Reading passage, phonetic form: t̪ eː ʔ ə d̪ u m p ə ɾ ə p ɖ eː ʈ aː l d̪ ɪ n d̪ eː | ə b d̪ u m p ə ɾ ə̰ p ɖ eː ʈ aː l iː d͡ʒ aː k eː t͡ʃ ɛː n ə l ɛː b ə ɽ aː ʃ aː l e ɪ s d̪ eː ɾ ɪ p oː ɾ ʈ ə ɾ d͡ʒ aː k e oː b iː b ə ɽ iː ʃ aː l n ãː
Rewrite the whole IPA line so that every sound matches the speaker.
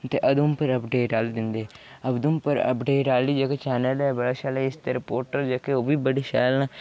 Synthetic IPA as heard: t̪ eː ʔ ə d̪ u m p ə ɾ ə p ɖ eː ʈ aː l d̪ ɪ n d̪ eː | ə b d̪ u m p ə ɾ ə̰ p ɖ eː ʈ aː l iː d͡ʒ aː k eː t͡ʃ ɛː n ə l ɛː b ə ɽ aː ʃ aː l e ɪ s t̪ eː ɾ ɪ p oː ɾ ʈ ə ɾ d͡ʒ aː k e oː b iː b ə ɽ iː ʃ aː l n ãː